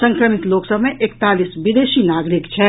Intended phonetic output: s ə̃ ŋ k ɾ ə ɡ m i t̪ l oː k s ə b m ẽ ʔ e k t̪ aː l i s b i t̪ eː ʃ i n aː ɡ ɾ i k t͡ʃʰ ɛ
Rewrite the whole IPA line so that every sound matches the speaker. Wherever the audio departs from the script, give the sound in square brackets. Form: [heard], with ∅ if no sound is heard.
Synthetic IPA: s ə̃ ŋ k ɾ ə [∅] m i t̪ l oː k s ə b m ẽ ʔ e k t̪ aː l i s b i [d̪] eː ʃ i n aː ɡ ɾ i k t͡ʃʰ ɛ